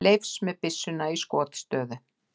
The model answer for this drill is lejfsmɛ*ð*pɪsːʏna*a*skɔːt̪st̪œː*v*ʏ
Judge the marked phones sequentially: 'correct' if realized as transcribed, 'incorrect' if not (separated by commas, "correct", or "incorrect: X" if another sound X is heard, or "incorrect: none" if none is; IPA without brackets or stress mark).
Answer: correct, incorrect: i, incorrect: ð